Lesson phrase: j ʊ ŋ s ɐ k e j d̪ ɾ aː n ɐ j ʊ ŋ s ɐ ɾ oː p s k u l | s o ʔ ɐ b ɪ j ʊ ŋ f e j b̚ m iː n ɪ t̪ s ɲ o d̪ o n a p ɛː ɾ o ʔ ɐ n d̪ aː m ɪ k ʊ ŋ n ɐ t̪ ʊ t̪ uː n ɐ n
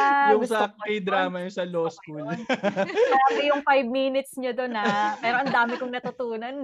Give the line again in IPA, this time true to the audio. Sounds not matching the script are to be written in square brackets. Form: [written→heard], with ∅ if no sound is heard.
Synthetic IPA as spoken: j ʊ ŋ s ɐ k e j d̪ ɾ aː [n→m] ɐ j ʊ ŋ s ɐ [ɾ→l] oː [p→∅] s k u l | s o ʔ ɐ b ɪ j ʊ ŋ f [e→a] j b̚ m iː n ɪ t̪ s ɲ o d̪ o n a p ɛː ɾ o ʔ ɐ n d̪ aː m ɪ k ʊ ŋ n ɐ t̪ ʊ t̪ uː n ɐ n